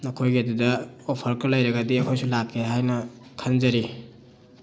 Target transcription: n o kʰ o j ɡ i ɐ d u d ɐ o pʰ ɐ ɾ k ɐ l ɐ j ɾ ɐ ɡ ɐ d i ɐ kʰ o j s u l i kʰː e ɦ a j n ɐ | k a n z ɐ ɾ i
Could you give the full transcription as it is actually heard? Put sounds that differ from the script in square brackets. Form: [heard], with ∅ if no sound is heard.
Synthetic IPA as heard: n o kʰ o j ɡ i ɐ d u d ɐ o pʰ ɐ ɾ k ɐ l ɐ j ɾ ɐ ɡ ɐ d i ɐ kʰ o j s u l [a] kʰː e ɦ a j n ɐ | [kʰ] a n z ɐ ɾ i